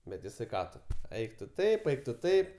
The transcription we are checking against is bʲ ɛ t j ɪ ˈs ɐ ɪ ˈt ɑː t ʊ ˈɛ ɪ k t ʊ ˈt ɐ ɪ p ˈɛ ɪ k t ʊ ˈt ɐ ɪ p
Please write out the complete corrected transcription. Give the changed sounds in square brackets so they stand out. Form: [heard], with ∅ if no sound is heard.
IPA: bʲ ɛ t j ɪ ˈs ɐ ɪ [ˈk] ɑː t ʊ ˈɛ ɪ k t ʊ ˈt ɐ ɪ p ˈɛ ɪ k t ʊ ˈt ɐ ɪ p